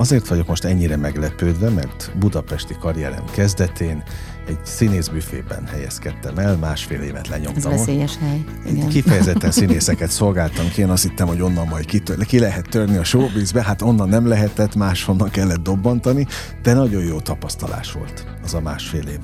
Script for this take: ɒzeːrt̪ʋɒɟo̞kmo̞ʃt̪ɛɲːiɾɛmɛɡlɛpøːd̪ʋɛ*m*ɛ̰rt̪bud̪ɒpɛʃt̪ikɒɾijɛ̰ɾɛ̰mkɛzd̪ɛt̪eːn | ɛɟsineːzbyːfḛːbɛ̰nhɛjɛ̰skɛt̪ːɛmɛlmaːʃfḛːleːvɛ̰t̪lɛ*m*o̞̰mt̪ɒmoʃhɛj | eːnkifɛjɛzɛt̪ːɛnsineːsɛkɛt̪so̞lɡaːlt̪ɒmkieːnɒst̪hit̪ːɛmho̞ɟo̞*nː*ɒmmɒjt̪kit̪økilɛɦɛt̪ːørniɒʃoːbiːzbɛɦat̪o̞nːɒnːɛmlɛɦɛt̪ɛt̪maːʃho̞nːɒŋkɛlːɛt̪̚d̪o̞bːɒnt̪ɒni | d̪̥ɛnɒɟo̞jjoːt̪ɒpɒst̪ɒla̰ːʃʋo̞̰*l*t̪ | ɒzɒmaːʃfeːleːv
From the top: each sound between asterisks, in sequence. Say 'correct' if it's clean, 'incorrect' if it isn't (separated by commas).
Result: correct, incorrect, correct, correct